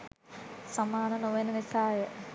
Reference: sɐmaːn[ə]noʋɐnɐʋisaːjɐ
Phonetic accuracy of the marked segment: incorrect: ɐ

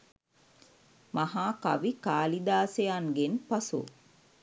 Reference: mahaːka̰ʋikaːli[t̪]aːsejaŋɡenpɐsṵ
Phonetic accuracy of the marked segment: incorrect: d̪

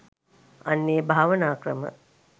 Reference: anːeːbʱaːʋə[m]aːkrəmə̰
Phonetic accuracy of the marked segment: incorrect: n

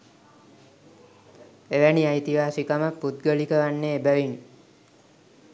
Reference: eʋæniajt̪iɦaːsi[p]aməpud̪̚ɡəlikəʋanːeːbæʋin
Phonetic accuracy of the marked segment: incorrect: k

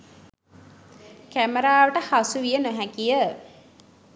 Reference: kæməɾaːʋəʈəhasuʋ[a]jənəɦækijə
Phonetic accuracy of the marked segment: incorrect: i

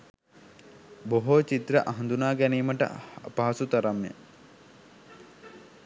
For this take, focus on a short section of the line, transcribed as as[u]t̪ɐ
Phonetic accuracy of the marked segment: correct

